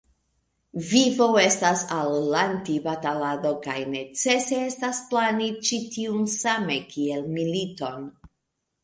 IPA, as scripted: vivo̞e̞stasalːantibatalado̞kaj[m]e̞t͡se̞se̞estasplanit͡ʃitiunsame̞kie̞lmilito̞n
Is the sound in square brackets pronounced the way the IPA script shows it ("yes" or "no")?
no